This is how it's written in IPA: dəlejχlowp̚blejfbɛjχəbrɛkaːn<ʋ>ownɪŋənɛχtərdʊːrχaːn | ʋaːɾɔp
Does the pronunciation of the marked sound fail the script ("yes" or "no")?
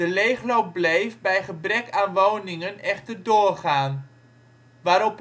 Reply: no